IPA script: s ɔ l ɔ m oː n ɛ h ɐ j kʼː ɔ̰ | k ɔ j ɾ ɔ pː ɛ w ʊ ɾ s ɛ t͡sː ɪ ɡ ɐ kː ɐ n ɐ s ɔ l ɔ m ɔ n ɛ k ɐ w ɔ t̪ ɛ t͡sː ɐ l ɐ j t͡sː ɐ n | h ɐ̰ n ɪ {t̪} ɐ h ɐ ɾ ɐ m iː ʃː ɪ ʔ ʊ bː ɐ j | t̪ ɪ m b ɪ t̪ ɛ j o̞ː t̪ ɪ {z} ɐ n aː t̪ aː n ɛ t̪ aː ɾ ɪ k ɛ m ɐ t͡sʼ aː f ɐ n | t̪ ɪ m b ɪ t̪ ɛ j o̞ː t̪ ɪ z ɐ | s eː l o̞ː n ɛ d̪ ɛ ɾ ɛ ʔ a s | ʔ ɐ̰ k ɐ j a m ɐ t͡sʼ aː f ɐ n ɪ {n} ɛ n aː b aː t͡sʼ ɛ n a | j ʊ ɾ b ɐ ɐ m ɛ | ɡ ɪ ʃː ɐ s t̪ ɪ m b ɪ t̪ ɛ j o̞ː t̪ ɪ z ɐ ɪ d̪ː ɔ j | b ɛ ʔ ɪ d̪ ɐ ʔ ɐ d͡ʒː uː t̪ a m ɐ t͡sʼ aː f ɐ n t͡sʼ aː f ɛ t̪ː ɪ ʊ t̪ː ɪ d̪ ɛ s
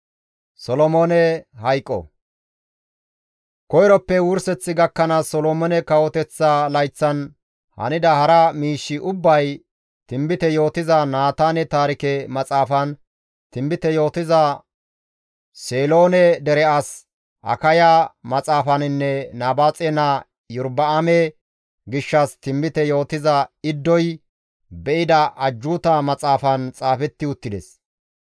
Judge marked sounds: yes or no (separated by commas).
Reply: no, yes, no